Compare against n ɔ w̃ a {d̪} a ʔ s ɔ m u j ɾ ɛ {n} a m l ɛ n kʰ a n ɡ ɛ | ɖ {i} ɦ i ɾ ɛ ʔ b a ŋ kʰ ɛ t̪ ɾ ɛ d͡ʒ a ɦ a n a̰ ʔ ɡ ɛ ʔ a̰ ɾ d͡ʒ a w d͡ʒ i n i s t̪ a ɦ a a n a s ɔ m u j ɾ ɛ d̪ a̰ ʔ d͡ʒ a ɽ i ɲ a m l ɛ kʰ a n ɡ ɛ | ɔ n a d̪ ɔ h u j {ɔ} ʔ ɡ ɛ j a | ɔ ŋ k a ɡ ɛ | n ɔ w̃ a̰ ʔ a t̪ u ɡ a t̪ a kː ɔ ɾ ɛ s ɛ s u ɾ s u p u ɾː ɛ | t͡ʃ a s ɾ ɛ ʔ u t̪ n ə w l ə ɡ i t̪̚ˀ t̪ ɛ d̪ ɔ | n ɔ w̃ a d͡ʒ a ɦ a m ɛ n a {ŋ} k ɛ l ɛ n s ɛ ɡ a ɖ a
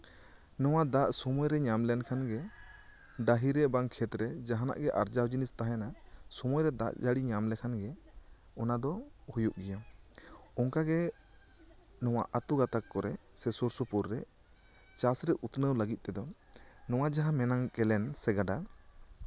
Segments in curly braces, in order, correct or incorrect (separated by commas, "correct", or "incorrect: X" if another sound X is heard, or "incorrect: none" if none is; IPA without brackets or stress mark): correct, incorrect: ɲ, incorrect: a, incorrect: u, correct